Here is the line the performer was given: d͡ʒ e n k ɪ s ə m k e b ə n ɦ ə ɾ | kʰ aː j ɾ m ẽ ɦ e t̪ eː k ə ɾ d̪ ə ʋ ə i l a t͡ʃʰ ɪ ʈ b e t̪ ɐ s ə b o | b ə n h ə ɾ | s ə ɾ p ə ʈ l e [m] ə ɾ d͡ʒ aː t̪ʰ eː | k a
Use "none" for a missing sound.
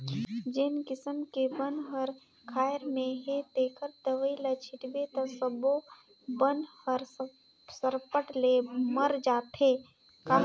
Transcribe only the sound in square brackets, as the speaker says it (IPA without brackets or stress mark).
m